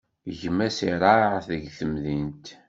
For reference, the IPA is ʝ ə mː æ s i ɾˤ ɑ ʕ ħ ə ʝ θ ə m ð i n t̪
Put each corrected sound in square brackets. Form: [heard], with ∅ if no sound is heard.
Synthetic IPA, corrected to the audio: ʝ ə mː æ s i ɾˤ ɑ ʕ [θ] ə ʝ θ ə m ð i n t̪